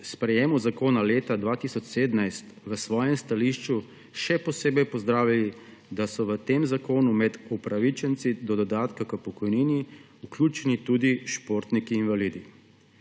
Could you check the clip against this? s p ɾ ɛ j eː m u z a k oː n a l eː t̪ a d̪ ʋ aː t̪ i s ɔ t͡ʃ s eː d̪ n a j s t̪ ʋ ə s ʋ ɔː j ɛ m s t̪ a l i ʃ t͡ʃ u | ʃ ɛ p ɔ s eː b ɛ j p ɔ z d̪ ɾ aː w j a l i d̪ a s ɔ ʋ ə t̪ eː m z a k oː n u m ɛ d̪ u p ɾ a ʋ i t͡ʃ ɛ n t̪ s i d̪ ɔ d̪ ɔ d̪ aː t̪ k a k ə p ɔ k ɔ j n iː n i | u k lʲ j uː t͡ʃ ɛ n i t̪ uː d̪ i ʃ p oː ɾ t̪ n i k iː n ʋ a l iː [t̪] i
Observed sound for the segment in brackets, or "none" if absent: d̪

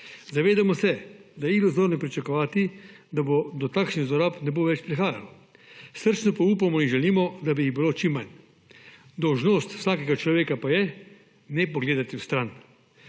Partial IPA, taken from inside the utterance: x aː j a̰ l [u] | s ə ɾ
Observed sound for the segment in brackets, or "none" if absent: ɔ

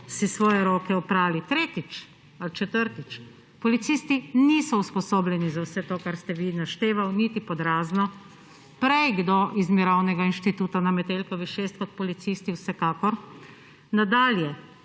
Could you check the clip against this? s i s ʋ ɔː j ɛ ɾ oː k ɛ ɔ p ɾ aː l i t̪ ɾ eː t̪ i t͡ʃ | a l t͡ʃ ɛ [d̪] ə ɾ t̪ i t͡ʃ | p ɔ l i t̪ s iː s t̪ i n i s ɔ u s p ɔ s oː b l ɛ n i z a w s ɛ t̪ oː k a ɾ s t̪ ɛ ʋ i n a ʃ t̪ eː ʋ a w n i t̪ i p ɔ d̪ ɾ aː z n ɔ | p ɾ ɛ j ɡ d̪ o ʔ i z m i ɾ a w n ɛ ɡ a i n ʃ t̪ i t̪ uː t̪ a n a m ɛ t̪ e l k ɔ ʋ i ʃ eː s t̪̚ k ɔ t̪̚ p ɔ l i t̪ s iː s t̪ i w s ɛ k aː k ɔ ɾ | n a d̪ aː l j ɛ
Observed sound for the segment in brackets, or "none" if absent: t̪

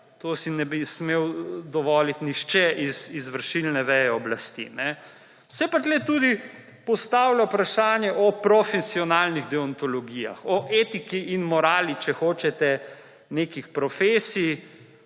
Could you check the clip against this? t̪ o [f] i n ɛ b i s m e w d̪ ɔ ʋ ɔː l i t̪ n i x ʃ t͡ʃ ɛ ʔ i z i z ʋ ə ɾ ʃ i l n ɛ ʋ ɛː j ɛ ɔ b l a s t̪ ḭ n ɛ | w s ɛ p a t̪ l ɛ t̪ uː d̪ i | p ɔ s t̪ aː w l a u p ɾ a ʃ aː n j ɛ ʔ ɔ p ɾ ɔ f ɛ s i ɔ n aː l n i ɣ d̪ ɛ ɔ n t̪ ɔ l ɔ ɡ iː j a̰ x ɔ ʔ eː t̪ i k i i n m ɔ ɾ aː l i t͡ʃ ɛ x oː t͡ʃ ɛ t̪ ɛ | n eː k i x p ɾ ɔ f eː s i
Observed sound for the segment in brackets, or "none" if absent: s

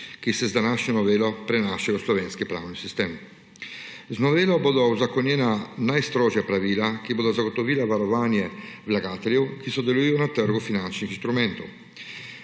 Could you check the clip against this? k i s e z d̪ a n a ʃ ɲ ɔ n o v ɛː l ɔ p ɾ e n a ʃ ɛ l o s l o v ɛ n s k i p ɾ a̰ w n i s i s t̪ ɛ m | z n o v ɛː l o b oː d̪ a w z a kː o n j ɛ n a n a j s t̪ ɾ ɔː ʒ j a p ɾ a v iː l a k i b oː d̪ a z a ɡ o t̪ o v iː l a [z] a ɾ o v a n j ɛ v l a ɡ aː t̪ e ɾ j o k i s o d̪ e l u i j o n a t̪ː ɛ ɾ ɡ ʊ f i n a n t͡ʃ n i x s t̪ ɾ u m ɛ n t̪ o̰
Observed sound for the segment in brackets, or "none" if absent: v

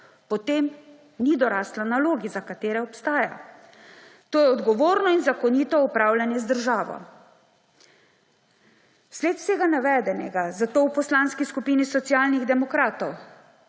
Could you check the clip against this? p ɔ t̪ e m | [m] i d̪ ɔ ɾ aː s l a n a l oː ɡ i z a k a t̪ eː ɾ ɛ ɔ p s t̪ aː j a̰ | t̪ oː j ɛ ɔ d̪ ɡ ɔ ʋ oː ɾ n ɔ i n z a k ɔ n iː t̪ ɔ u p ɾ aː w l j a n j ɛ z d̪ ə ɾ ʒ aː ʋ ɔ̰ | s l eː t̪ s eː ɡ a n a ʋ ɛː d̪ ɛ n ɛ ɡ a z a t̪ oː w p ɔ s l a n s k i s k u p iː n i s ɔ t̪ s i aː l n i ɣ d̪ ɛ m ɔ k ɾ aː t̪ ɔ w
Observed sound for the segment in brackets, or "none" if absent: n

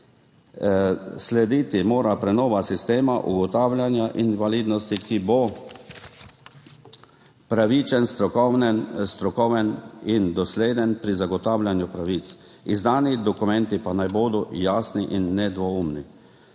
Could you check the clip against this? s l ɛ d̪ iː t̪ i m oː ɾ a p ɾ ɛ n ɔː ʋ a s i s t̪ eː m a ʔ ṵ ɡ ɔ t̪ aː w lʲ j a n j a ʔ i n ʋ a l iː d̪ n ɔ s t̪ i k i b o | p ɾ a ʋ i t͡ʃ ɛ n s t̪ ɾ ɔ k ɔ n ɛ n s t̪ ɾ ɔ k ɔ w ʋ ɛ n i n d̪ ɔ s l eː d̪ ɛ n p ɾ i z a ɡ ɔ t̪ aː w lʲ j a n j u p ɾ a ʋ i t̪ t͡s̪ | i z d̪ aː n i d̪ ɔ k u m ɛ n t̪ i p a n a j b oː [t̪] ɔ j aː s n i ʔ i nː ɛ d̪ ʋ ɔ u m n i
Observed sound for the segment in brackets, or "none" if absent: d̪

